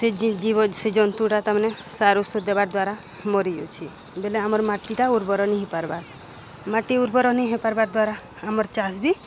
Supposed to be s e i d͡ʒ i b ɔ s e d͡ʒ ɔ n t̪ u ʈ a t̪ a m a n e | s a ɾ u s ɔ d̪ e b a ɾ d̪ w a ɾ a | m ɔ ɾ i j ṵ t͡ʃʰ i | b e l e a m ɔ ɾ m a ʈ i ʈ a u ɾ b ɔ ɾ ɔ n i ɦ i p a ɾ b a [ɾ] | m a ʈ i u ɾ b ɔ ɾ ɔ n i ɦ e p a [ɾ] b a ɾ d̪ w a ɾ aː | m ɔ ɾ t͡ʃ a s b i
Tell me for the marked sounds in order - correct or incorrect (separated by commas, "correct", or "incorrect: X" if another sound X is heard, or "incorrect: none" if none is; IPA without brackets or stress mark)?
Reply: correct, correct